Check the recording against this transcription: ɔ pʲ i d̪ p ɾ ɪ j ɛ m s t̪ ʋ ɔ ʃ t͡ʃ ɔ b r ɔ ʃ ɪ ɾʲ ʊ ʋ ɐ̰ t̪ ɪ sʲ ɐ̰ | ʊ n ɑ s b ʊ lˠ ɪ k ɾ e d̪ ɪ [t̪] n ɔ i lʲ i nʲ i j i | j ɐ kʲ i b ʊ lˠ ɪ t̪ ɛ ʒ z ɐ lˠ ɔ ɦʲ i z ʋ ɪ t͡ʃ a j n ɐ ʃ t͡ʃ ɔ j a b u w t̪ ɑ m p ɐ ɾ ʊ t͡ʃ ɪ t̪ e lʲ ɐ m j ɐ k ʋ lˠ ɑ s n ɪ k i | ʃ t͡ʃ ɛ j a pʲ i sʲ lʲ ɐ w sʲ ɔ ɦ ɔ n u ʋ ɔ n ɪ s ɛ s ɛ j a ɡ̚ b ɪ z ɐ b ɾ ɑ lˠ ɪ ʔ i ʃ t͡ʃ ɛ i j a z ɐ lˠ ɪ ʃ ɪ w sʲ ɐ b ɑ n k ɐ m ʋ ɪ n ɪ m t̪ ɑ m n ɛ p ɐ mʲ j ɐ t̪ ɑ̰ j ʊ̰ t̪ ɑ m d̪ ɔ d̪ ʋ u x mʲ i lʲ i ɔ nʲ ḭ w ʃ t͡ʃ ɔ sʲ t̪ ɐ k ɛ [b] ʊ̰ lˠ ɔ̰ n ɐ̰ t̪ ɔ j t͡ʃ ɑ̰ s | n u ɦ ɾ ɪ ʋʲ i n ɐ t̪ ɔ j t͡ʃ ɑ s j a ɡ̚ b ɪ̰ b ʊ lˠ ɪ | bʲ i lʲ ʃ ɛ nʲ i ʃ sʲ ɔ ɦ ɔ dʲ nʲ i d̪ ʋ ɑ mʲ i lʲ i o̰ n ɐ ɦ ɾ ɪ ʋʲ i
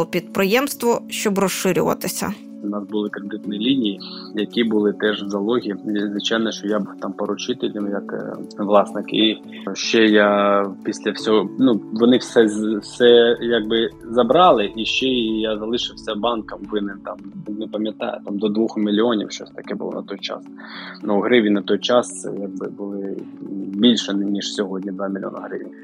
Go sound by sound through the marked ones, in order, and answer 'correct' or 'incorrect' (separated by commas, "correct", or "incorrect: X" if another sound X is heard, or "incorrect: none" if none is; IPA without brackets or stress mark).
correct, correct